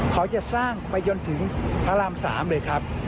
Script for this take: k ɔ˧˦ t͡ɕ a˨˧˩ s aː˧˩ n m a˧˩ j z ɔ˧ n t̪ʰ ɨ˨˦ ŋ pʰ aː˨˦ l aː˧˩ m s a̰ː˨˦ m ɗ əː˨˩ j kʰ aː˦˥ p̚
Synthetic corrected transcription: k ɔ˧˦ t͡ɕ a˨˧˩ s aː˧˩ ŋ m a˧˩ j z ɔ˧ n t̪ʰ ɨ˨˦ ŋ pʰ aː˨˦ l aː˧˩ m s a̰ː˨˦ m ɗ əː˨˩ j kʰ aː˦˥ p̚